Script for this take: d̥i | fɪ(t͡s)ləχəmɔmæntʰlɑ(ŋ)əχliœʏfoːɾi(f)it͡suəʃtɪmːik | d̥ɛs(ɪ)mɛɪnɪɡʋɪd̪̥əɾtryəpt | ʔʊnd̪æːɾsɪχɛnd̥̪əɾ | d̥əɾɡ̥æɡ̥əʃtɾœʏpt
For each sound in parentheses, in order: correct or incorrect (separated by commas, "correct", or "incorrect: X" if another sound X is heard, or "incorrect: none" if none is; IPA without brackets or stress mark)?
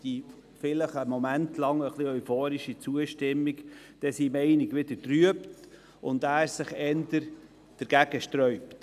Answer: incorrect: none, correct, incorrect: ʃ, incorrect: i